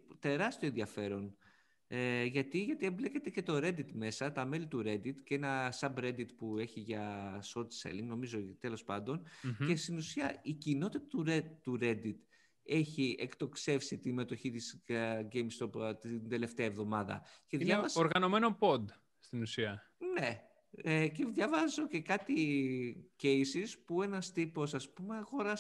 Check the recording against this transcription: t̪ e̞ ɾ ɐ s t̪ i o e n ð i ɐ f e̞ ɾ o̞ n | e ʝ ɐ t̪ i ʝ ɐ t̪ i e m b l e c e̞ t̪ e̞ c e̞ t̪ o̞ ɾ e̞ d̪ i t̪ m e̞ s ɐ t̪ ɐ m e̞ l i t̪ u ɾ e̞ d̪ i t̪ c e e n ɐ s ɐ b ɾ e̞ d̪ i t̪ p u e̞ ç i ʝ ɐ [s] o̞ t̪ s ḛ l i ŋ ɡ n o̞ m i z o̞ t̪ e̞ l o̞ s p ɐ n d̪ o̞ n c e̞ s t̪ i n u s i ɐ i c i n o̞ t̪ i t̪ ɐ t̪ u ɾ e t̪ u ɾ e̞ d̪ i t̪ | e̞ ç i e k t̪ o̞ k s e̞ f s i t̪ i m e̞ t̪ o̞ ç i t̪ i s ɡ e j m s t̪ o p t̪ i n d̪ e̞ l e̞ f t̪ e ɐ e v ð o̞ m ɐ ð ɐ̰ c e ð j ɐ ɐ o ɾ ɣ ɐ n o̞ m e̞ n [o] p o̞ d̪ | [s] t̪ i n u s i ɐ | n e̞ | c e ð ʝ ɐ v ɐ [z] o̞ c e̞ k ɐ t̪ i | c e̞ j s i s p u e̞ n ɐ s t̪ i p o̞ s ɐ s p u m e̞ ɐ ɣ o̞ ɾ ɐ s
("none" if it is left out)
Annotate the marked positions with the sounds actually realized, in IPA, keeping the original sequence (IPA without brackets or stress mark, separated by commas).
s, o, s, z